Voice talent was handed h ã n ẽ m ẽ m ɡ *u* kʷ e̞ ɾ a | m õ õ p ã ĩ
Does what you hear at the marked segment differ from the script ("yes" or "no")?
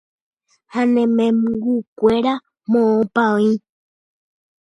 no